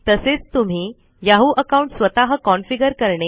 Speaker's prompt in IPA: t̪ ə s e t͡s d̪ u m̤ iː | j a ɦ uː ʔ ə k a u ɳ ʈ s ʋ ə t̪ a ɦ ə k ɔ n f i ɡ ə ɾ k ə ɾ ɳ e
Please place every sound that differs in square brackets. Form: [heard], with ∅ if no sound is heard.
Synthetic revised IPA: t̪ ə s e t͡s [t̪] u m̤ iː | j a ɦ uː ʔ ə k a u ɳ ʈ s ʋ ə t̪ a ɦ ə k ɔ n f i ɡ ə ɾ k ə ɾ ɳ e